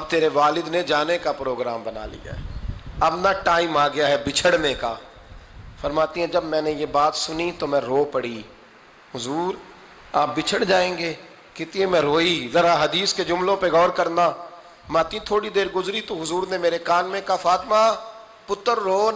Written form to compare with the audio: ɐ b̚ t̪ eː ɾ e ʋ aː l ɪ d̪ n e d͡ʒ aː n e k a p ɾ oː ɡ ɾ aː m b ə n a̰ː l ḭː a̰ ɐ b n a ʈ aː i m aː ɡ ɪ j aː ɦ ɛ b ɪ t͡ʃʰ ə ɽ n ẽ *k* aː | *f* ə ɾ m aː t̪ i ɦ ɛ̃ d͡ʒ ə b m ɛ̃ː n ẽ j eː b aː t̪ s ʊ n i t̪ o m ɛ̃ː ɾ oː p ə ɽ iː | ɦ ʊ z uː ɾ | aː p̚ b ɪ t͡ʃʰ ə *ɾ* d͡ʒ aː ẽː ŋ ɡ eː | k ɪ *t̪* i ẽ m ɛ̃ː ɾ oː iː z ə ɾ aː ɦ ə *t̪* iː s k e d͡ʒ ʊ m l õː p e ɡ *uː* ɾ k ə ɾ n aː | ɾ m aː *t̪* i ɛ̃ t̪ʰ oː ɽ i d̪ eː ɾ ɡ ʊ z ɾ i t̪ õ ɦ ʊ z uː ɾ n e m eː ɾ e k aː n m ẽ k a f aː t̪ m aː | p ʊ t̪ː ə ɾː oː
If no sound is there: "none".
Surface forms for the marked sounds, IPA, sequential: k, f, ɽ, t̪, d̪, ɔː, t̪

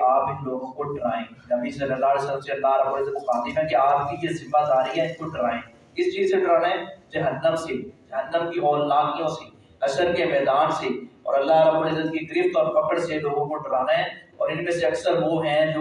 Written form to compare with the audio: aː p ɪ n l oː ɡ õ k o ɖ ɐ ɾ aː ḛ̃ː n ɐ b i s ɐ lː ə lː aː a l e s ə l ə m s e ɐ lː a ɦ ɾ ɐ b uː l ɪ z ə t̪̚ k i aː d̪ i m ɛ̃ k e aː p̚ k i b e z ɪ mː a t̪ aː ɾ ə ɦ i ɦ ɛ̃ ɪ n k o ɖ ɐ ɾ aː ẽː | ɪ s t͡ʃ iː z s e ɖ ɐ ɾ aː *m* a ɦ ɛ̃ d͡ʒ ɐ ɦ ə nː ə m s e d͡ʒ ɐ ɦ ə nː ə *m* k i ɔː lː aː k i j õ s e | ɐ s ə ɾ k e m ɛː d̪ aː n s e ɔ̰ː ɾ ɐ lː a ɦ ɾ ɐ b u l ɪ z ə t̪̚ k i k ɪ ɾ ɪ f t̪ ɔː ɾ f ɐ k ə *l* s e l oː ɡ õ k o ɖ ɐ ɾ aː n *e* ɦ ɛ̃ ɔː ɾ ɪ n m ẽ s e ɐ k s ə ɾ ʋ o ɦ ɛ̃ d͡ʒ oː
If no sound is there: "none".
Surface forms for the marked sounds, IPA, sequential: n, m, ɽ, a

